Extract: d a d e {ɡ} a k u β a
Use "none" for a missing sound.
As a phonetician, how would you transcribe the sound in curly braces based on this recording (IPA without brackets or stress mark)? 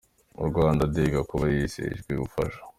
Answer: ɡ